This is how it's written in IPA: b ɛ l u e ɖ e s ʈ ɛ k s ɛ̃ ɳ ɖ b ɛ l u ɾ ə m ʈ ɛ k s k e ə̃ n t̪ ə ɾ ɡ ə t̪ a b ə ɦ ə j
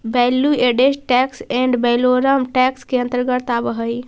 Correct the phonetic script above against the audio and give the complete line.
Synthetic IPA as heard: b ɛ l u e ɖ e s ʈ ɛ k s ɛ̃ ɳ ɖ b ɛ l o ɾ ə m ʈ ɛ k s k e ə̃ n t̪ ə ɾ ɡ ə t̪ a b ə ɦ ə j